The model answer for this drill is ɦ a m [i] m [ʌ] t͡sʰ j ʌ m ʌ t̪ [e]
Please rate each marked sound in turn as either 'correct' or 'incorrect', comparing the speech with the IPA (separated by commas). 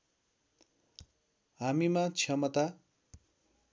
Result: correct, incorrect, incorrect